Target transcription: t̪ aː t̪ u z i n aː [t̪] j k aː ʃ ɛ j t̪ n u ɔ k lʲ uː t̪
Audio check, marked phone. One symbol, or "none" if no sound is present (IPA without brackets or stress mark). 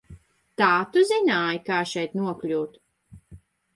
none